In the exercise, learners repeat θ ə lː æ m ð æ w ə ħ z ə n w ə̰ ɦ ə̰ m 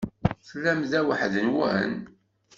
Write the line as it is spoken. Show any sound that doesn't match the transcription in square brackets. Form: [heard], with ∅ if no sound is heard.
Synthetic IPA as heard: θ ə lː æ m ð æ w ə ħ [ð] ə n w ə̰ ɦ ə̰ [n]